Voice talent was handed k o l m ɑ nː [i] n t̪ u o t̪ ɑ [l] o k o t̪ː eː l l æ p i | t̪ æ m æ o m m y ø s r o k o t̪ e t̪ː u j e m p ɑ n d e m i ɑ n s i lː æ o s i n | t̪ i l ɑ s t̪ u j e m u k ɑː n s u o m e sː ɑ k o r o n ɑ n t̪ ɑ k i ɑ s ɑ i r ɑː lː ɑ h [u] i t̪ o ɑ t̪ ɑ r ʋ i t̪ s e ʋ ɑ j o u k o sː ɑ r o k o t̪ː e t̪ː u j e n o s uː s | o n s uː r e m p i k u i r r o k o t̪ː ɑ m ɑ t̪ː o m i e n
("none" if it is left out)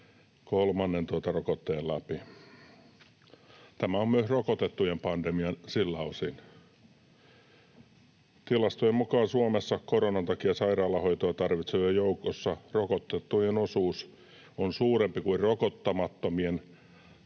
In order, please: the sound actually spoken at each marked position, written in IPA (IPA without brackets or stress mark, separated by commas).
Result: e, r, o